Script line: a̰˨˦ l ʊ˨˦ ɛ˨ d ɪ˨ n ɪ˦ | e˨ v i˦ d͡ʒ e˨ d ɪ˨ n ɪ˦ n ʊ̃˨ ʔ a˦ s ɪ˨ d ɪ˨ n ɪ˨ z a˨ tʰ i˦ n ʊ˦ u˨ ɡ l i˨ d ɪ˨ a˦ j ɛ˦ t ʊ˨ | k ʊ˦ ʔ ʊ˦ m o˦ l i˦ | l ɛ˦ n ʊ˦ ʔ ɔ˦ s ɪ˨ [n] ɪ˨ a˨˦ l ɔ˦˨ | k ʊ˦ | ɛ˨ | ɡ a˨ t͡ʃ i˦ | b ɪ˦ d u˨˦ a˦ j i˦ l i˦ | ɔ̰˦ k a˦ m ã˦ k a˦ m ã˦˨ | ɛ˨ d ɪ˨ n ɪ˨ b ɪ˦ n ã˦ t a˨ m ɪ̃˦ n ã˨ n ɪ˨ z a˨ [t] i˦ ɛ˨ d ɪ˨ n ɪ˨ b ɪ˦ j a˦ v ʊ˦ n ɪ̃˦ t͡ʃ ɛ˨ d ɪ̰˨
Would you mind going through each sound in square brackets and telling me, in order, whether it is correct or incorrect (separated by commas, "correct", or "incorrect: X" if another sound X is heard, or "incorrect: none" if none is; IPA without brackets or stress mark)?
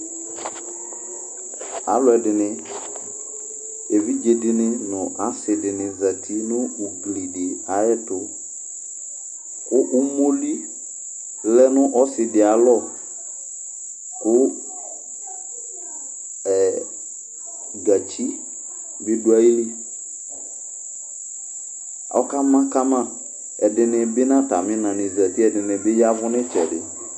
incorrect: d, correct